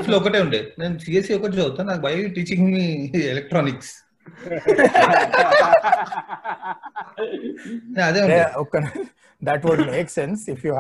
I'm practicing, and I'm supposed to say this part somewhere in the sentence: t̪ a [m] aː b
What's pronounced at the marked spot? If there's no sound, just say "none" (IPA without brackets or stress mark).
n